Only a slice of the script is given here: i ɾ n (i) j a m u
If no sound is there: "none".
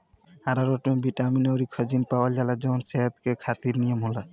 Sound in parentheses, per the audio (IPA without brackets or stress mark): i